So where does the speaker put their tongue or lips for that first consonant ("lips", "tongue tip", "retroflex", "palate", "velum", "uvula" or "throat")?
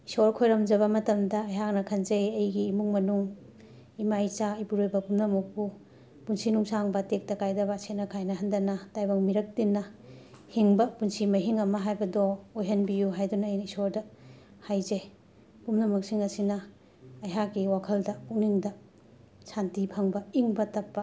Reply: tongue tip